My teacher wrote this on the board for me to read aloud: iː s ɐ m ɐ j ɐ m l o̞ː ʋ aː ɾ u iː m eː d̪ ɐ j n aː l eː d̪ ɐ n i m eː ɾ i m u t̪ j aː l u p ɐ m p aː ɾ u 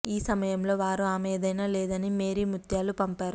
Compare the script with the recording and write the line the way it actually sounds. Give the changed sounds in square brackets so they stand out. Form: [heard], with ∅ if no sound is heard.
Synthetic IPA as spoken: iː s ɐ m ɐ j ɐ m l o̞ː ʋ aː ɾ u [aː] m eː d̪ ɐ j n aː l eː d̪ ɐ n i m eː ɾ i m u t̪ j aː l u p ɐ m p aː ɾ u